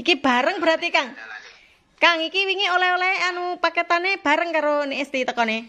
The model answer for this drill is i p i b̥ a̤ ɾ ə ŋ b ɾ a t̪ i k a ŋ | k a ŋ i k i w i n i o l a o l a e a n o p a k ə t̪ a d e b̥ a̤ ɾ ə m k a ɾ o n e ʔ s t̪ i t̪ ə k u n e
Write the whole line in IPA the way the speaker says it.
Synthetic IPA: i k i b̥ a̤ ɾ ə ŋ b ɾ a t̪ i k a ŋ | k a ŋ i k i w i ŋ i o l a o l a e a n u p a k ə t̪ a n e b̥ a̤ ɾ ə ŋ k a ɾ o n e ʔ s t̪ i t̪ ə k ɔ n e